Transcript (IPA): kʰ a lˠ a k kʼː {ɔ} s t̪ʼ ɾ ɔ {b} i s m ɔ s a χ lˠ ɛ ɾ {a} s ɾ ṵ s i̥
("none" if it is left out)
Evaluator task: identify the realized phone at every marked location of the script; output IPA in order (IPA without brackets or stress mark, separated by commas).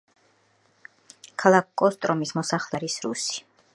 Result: ɔ, m, i